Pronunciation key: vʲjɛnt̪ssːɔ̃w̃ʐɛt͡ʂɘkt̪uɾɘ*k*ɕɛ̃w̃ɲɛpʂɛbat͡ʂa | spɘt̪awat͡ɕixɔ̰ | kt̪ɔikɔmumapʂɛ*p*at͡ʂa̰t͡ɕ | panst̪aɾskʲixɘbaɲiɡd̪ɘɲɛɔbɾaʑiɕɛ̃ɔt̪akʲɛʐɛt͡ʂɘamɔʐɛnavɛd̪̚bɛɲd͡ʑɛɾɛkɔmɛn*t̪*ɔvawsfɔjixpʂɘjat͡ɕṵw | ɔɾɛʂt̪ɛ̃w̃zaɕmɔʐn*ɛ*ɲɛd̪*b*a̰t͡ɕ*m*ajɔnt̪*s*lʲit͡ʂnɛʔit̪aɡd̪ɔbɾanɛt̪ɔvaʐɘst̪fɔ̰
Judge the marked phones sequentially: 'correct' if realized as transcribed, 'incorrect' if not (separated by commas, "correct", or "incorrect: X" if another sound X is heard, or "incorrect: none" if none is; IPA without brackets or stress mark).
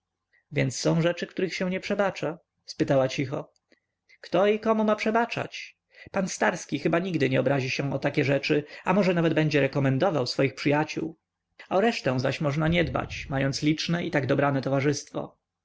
incorrect: x, incorrect: b, incorrect: d̪, incorrect: a, correct, correct, correct